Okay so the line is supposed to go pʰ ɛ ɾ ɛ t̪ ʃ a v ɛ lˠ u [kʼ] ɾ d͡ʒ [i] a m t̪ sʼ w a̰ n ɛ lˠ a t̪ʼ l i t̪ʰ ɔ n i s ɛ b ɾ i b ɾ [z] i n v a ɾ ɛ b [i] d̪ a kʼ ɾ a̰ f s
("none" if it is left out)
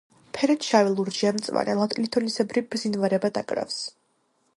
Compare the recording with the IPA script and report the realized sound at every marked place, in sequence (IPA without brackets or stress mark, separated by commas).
none, i, z, a